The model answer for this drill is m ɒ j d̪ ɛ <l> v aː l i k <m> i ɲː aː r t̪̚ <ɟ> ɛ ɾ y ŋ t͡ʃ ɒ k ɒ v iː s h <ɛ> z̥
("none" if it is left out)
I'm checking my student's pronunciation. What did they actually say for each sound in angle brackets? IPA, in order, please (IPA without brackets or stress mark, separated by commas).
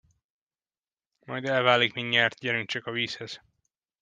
l, m, ɟ, ɛ